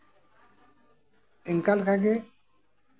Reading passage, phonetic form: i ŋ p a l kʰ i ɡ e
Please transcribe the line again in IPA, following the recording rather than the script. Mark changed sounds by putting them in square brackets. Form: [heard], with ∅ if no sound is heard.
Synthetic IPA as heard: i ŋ [k] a l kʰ [a] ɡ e